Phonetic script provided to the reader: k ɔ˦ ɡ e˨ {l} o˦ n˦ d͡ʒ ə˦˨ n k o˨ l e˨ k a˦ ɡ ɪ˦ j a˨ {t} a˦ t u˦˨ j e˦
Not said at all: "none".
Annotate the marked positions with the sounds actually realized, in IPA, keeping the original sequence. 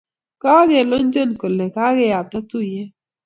l, t

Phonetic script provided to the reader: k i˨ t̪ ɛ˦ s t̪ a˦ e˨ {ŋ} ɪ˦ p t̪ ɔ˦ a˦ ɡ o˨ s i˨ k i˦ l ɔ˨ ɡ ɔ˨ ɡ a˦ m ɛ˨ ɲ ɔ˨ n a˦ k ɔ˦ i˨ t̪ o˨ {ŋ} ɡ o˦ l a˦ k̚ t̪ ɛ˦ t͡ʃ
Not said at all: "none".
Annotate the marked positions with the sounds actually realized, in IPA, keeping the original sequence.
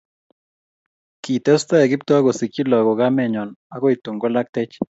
ɡ, ŋ

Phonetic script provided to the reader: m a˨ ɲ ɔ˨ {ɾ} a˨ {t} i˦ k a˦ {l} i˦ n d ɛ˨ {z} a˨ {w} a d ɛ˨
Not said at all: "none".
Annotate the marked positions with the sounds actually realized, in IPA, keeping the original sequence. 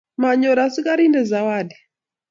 ɾ, s, ɾ, z, w

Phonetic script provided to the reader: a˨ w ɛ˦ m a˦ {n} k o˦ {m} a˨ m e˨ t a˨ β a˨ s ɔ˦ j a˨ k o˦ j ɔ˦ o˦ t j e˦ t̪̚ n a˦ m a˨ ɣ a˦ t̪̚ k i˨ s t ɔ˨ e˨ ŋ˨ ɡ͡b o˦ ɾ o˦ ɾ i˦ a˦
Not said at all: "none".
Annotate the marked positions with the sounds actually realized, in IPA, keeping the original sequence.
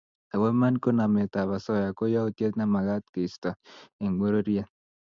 n, n

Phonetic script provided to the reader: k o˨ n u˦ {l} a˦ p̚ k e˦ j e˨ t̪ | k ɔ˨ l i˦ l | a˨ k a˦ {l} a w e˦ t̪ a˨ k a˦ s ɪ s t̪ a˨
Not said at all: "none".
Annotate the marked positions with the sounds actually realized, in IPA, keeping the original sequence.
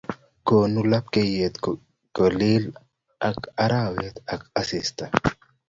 l, ɾ

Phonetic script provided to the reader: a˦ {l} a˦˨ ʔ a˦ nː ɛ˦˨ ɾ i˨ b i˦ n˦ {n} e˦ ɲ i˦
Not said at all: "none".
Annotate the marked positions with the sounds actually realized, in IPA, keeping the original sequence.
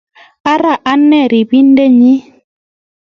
ɾ, d

